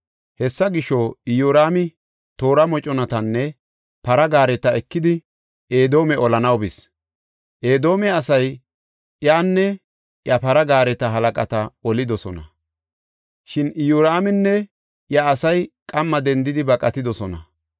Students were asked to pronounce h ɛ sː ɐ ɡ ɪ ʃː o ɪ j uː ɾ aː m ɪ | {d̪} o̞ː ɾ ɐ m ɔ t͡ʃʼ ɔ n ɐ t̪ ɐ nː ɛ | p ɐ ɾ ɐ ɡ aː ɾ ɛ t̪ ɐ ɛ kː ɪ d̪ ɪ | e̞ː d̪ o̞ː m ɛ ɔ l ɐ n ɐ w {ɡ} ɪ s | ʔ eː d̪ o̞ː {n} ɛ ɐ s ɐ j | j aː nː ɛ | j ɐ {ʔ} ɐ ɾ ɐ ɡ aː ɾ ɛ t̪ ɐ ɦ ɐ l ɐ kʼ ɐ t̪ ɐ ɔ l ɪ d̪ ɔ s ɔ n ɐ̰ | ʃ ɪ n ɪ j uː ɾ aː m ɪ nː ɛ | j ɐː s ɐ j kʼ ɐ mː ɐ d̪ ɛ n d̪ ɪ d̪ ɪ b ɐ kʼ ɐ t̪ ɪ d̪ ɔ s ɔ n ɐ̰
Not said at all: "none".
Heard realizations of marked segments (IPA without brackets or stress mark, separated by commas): t̪, b, m, p